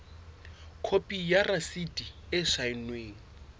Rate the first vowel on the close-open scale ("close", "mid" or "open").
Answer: mid